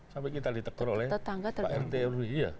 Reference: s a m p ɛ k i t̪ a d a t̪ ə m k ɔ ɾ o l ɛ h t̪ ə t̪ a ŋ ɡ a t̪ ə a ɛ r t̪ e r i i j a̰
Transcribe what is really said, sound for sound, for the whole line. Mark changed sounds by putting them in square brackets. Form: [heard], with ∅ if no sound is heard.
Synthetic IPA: s a m p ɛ k i t̪ a d [i] t̪ ə [∅] k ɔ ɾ o l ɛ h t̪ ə t̪ a ŋ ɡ a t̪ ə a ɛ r t̪ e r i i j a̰